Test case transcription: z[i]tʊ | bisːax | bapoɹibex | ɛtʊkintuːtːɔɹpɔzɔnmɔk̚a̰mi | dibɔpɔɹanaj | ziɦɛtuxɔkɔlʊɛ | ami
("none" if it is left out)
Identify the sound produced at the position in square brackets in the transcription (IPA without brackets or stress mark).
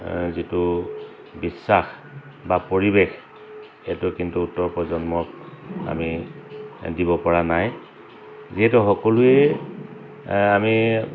i